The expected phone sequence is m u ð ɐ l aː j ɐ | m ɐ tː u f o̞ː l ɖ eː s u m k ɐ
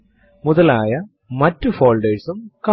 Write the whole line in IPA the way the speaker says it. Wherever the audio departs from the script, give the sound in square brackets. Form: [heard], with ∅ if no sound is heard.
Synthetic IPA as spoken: m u ð ɐ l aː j ɐ | m ɐ tː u f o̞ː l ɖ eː s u m k ɐ